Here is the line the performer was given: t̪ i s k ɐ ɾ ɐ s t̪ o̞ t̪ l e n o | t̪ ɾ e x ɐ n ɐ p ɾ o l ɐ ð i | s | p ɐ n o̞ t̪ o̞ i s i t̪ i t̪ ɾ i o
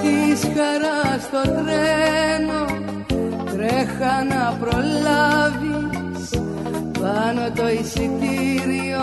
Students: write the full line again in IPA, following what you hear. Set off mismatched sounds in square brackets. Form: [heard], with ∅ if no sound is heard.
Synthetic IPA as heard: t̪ i s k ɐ ɾ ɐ s t̪ o̞ t̪ [ɾ] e n o | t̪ ɾ e x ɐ n ɐ p ɾ o l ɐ [v] i | s | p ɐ n o̞ t̪ o̞ i s i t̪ i [∅] ɾ i o